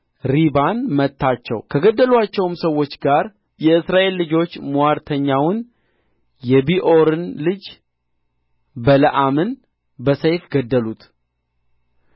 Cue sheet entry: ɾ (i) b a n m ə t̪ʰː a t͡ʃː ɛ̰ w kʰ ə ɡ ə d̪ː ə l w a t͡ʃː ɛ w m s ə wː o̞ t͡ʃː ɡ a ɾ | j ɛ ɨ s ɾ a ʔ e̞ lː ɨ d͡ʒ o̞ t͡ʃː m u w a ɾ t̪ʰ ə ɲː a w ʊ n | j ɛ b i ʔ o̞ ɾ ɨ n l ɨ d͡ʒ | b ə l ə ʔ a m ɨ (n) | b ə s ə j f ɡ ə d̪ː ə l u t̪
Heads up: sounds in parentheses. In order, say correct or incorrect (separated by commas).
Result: correct, correct